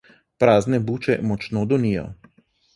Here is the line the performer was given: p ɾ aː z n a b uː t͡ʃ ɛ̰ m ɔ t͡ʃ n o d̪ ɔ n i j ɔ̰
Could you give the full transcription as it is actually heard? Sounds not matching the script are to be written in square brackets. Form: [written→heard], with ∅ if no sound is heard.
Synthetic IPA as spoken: p ɾ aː z n [a→ɛ] b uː t͡ʃ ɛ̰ m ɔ t͡ʃ n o d̪ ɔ n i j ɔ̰